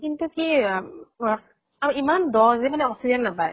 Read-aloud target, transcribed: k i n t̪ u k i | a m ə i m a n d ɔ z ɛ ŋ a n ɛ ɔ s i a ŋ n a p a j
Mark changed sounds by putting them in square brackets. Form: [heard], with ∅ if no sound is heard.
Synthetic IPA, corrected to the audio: k i n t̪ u k i | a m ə i m a n d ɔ z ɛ [m] a n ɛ ɔ s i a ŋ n a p a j